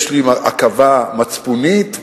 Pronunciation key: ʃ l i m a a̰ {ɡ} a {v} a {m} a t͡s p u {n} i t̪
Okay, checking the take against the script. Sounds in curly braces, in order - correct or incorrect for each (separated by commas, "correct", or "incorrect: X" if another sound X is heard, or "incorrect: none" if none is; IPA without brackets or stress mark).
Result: incorrect: k, correct, correct, correct